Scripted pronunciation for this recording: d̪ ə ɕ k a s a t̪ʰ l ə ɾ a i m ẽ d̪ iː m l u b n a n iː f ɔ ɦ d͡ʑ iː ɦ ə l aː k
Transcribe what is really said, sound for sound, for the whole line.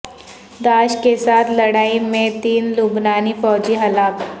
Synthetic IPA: d̪ a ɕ k e s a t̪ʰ l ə ɽ a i m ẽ t̪ iː n l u b n a n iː f ɔ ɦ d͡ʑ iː ɦ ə l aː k